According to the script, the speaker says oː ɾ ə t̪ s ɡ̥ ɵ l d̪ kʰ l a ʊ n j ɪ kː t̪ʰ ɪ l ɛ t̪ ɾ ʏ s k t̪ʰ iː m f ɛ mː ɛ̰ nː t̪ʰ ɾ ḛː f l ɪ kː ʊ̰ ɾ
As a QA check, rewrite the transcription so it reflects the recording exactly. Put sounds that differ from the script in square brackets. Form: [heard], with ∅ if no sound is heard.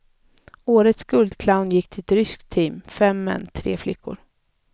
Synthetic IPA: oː ɾ ə t̪ s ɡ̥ ɵ l d̪ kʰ l a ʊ n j ɪ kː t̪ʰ ɪ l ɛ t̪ ɾ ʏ s k t̪ʰ iː m f ɛ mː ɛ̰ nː t̪ʰ ɾ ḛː f l ɪ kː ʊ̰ ɾ

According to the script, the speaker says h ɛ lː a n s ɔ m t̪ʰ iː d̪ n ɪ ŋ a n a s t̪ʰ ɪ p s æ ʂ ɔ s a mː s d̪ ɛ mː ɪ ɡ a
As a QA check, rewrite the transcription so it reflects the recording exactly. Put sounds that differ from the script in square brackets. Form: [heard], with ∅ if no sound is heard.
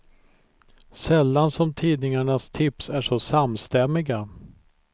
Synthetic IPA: [s] ɛ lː a n s ɔ m t̪ʰ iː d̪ n ɪ ŋ a [ɳ] a s t̪ʰ ɪ p s æ ʂ ɔ s a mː s [t̪] ɛ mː ɪ ɡ a

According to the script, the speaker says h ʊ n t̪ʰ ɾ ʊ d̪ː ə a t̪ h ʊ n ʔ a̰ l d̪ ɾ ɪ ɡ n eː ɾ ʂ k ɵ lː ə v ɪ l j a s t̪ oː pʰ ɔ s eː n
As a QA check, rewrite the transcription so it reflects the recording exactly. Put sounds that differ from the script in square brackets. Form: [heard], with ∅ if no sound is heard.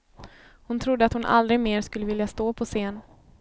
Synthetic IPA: h ʊ n t̪ʰ ɾ ʊ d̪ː ə a t̪ h ʊ n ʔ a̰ l d̪ ɾ ɪ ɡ [m] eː ɾ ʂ k ɵ lː ə v ɪ l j a s t̪ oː pʰ ɔ s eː n

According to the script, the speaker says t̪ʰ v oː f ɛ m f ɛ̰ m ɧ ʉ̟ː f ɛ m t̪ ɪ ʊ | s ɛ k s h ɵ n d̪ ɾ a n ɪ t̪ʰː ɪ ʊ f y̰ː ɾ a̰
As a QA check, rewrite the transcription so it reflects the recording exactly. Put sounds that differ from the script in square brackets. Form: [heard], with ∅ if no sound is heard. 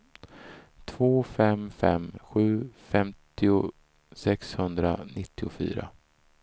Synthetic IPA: t̪ʰ v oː f ɛ m f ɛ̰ m ɧ ʉ̟ː f ɛ m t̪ ɪ ʊ | s ɛ k s h ɵ n d̪ ɾ a n ɪ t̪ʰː ɪ ʊ f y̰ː ɾ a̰

